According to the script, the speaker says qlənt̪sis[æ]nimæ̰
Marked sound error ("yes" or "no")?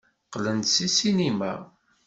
yes